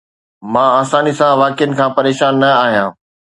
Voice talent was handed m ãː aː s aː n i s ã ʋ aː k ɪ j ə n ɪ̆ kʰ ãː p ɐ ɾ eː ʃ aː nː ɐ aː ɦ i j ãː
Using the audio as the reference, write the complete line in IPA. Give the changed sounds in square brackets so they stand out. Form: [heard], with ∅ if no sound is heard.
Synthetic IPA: m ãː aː s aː n i s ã ʋ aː k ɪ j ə n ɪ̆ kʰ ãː p ɐ ɾ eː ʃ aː nː ɐ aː ɦ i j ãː